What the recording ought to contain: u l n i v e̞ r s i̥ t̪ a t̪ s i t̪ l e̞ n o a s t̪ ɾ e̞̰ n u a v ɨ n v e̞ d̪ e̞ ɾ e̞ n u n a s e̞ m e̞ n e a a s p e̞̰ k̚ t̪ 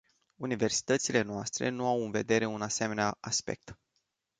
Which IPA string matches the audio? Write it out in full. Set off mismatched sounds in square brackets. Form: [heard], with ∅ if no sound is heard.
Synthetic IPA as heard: u [∅] n i v e̞ r s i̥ t̪ [ə] t̪ s i [∅] l e̞ n o a s t̪ ɾ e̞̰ n u a [w] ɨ n v e̞ d̪ e̞ ɾ e̞ [∅] u n a s e̞ m e̞ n e a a s p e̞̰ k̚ t̪